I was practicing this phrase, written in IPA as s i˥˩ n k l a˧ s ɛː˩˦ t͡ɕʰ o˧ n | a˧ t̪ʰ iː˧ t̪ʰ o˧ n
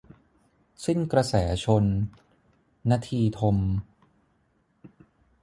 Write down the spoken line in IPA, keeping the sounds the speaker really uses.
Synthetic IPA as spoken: s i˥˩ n k ɾ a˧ s ɛː˩˦ t͡ɕʰ o˧ n | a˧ t̪ʰ iː˧ t̪ʰ o˧ m